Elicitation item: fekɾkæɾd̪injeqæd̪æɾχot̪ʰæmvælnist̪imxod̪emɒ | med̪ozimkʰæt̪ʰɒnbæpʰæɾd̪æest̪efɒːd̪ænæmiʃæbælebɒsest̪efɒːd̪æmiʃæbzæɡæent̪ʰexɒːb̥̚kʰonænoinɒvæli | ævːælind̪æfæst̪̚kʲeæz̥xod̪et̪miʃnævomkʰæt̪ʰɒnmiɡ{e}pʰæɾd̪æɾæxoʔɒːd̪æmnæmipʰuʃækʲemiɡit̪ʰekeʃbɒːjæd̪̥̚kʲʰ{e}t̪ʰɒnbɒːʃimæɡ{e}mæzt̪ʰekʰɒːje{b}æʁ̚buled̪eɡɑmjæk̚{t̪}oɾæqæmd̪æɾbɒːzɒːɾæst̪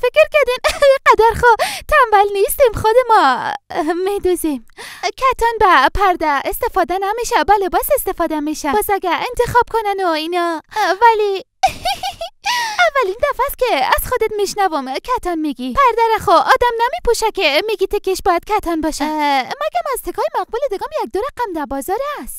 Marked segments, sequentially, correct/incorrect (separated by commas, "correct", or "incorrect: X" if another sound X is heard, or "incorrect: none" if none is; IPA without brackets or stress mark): incorrect: i, incorrect: æ, incorrect: æ, incorrect: m, incorrect: d̪